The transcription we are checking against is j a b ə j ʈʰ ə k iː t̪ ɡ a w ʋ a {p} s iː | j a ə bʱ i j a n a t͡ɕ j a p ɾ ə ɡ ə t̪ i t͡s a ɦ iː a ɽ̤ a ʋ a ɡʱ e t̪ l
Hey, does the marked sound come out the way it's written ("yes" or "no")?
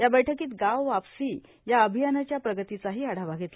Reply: yes